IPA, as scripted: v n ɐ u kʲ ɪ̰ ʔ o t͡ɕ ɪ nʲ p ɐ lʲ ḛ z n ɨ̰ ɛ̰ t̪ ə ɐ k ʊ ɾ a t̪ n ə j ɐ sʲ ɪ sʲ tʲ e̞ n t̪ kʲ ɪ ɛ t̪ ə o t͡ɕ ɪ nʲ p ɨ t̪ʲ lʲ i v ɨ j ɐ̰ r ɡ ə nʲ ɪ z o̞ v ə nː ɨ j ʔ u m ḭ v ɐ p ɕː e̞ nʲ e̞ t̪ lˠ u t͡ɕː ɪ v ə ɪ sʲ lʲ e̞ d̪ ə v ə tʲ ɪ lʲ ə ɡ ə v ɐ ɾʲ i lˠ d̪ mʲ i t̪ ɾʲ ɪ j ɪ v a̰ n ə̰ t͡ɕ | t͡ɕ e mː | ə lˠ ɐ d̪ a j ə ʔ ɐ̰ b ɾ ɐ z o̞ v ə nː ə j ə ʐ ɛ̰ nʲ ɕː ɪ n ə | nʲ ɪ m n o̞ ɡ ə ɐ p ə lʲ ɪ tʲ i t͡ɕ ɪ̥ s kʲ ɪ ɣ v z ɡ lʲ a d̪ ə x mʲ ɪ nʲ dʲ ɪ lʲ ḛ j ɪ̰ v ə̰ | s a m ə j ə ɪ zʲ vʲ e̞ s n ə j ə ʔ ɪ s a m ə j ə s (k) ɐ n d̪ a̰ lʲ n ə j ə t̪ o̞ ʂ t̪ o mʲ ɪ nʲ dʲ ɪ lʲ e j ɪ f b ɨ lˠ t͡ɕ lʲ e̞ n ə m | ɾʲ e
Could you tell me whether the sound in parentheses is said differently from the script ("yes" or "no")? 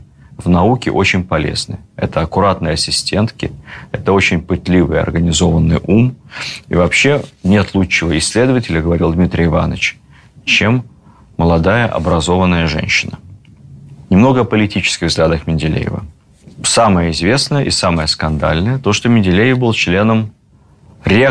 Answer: no